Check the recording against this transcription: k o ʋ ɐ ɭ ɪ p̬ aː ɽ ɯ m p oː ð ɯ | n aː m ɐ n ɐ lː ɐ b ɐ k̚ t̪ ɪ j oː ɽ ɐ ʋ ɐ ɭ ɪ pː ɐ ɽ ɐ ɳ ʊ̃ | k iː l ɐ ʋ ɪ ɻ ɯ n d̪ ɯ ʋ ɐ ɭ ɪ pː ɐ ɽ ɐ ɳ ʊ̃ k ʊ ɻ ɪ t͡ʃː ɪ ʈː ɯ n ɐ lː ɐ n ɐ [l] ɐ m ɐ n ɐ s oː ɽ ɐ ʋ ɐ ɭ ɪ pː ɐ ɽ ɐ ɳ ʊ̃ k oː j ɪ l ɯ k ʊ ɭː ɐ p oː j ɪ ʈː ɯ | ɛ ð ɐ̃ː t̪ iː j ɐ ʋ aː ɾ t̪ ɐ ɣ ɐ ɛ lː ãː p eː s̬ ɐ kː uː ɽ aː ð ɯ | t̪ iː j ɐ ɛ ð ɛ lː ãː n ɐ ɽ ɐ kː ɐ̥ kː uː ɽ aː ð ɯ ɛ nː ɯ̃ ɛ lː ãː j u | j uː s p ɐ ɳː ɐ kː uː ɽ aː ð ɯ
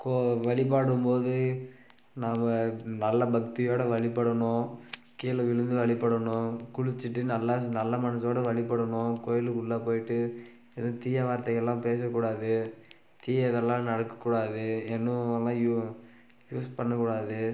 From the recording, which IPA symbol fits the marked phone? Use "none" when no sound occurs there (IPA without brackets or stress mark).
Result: lː